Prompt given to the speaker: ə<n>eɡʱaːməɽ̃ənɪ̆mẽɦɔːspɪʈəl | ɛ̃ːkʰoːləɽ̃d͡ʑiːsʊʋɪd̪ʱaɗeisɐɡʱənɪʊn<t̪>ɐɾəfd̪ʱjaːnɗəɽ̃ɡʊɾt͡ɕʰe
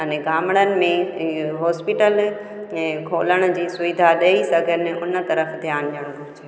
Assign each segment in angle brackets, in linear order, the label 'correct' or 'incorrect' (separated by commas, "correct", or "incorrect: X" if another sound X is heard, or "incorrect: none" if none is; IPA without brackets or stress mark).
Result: correct, correct